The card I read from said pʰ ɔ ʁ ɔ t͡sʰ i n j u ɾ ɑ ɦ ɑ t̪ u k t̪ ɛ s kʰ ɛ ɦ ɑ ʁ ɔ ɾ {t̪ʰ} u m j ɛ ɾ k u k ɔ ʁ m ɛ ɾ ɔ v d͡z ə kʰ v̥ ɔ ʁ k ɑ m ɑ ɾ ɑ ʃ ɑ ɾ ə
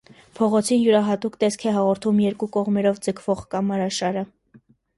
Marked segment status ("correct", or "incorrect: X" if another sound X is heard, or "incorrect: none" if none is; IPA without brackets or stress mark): correct